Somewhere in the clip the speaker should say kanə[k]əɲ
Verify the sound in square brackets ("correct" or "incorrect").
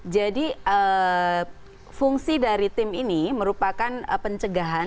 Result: incorrect